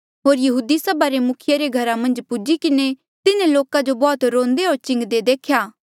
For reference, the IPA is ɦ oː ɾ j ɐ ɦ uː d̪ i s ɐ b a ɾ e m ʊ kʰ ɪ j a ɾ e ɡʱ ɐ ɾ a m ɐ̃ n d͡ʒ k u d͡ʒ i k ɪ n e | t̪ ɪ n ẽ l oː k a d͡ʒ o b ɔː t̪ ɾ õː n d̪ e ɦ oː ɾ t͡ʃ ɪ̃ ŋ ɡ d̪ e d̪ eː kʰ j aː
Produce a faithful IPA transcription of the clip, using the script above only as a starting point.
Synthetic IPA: ɦ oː ɾ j ɐ ɦ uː d̪ i s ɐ b a ɾ e m ʊ kʰ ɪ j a ɾ e ɡʱ ɐ ɾ a m ɐ̃ n d͡ʒ p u d͡ʒ i k ɪ n e | t̪ ɪ n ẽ l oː k a d͡ʒ o b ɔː t̪ ɾ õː n d̪ e ɦ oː ɾ t͡ʃ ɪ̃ ŋ ɡ d̪ e d̪ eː kʰ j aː